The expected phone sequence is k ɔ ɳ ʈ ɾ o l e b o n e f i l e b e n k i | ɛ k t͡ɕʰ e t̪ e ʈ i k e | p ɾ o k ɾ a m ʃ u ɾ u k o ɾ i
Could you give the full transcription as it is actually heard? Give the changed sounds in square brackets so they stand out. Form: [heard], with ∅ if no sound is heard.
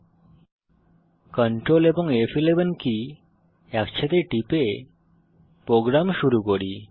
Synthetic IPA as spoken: k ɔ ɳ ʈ ɾ o l e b o [ŋ] e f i l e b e n k i | ɛ k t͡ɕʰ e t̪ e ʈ i [p] e | p ɾ o [ɡ] ɾ a m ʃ u ɾ u k o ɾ i